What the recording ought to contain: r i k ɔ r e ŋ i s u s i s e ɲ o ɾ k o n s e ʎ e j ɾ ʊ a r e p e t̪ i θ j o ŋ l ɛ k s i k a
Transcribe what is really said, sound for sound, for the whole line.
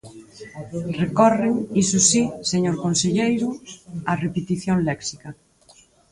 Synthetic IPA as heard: r e k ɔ r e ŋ i s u s i s e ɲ o ɾ k o n s e ʎ e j ɾ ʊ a r e p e t̪ i θ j o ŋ l ɛ k s i k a